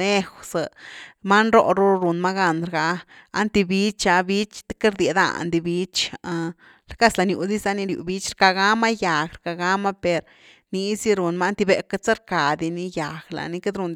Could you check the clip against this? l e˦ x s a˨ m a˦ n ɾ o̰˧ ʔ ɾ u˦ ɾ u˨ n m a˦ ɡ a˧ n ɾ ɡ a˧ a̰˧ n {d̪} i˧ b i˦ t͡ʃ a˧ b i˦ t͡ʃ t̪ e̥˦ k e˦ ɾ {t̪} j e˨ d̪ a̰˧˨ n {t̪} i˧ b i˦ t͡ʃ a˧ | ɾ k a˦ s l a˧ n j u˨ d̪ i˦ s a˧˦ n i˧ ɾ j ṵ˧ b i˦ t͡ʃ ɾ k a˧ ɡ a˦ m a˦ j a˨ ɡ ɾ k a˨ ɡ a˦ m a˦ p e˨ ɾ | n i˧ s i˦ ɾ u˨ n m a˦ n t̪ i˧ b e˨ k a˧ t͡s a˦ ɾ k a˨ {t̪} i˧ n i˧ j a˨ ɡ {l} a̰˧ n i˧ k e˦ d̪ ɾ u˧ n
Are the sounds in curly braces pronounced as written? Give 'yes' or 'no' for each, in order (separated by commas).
no, no, no, no, yes